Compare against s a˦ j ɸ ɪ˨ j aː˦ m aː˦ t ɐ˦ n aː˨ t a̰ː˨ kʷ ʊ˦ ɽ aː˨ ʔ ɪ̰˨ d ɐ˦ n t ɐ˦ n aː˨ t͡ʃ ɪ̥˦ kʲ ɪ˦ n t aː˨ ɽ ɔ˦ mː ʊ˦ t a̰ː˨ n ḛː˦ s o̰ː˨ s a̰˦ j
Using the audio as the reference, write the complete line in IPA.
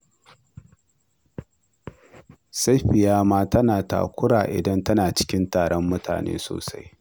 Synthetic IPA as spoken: s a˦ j ɸ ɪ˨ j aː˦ m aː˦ t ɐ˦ n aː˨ t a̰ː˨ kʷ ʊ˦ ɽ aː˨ ʔ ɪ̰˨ d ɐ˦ n t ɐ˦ n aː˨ t͡ʃ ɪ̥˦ kʲ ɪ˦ n t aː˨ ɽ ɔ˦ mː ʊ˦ t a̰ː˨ n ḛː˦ s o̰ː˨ s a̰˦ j